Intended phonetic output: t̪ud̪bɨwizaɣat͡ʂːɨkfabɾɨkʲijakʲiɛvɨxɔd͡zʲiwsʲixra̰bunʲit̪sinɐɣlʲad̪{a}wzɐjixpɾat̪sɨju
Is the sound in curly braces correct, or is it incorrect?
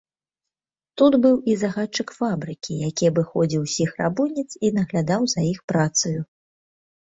correct